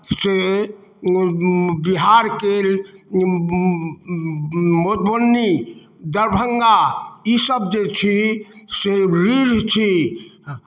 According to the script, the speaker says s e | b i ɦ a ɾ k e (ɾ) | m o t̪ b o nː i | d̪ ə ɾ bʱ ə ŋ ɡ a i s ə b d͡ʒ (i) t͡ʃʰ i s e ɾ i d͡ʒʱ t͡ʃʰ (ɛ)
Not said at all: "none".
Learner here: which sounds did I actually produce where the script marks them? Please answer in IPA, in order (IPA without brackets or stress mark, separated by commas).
l, e, i